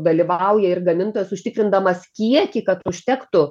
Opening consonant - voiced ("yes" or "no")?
yes